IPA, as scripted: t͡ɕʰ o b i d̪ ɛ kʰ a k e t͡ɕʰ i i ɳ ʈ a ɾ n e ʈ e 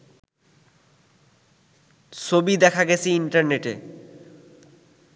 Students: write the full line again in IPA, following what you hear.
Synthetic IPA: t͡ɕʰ o b i d̪ ɛ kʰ a ɡ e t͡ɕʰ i i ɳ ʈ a ɾ n e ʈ e